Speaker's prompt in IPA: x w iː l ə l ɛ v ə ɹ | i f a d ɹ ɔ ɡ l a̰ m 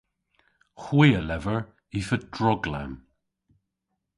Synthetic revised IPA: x w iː ə l ɛ v ə ɹ | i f ə d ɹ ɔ ɡ l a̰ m

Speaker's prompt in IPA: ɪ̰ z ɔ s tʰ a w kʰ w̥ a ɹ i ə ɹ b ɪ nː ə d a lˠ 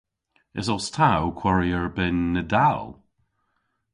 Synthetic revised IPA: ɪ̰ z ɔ s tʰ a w kʰ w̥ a ɹ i ə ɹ b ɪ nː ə d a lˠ

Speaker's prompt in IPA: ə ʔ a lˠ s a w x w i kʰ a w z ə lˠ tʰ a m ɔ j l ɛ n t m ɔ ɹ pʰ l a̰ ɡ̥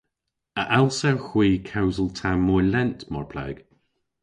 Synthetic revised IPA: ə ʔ a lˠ s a w x w iː kʰ a w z ə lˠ tʰ a m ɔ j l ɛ n t m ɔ ɹ pʰ l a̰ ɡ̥

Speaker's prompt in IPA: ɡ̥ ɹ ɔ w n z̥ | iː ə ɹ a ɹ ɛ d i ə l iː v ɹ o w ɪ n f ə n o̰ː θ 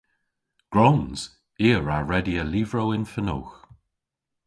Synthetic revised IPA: ɡ̥ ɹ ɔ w n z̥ | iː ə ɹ a ɹ ɛ d i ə l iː v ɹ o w ɪ n f ə n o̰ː x

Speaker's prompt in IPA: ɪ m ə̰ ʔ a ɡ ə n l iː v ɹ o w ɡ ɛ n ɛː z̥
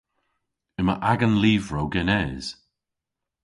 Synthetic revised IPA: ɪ m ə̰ ʔ a ɡ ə n l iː v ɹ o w ɡ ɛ n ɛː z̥

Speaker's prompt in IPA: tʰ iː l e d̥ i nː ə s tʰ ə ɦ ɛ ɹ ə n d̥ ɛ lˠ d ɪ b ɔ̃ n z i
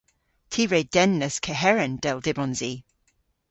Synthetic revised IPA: tʰ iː ɹ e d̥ ɛ nː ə s kʰ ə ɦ ɛ ɹ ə n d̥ ɛ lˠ d ɪ b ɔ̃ n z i

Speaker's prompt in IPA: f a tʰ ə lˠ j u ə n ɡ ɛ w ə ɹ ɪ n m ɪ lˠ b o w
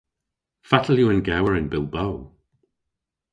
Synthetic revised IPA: f a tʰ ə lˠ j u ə n ɡ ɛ w ə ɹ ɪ n b ɪ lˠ b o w

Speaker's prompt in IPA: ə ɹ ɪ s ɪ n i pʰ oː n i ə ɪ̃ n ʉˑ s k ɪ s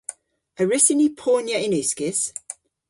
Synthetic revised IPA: ə ɹ ɪ s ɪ n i pʰ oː n j ə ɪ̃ n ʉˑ s k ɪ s

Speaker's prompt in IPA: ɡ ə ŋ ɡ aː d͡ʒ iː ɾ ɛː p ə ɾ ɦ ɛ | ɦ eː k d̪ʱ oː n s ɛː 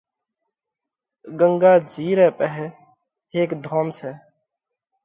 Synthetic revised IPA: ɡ ə ŋ ɡ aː d͡ʒ iː ɾ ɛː p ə ɦ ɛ | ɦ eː k d̪ʱ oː m s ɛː

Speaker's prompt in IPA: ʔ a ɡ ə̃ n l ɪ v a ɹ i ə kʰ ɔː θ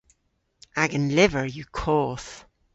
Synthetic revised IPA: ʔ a ɡ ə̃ n l ɪ v ə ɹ j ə kʰ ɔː θ

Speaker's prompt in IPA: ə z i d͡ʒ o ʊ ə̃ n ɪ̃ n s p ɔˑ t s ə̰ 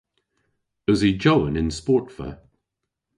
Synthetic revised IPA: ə z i d͡ʒ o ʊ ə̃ n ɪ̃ n s p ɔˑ t f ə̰

